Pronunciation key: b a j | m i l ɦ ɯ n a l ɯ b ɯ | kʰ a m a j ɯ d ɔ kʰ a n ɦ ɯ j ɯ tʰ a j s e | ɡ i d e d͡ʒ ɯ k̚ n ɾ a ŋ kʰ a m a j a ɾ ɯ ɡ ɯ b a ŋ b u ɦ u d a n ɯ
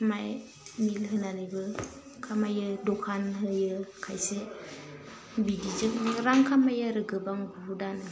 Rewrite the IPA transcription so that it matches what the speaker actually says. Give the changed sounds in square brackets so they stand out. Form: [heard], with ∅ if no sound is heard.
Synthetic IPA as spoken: [m] a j | m i l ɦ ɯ n a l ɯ b ɯ | kʰ a m a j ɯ d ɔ kʰ a n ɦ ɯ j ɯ [kʰ] a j s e | [b] i d [i] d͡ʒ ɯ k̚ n ɾ a ŋ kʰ a m a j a ɾ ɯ ɡ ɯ b a ŋ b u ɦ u d a n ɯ